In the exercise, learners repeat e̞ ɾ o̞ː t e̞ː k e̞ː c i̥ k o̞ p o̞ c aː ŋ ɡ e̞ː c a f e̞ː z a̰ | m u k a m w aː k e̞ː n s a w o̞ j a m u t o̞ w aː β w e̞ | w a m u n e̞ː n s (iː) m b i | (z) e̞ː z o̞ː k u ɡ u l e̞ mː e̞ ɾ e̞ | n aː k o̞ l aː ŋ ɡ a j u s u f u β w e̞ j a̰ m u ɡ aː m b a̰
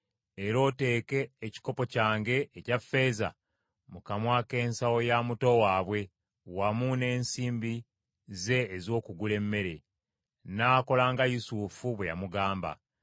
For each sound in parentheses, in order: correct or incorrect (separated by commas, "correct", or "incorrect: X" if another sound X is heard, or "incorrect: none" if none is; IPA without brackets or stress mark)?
correct, correct